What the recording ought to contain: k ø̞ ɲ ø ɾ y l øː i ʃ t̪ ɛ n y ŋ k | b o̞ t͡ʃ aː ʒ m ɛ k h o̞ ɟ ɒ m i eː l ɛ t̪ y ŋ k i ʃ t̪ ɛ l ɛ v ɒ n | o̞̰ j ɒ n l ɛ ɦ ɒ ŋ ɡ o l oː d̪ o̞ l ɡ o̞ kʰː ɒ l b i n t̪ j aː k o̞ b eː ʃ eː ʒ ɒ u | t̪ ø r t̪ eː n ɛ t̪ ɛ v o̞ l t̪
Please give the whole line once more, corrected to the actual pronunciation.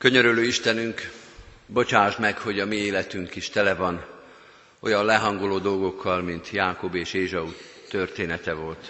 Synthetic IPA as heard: k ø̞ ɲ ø ɾ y l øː i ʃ t̪ ɛ n y ŋ k | b o̞ t͡ʃ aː ʒ m ɛ k h o̞ ɟ ɒ m i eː l ɛ t̪ y ŋ k i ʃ t̪ ɛ l ɛ v ɒ n | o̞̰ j ɒ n l ɛ ɦ ɒ ŋ ɡ o l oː d̪ o̞ l ɡ o̞ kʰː ɒ l m i n t̪ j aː k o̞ b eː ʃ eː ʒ ɒ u | t̪ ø r t̪ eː n ɛ t̪ ɛ v o̞ l t̪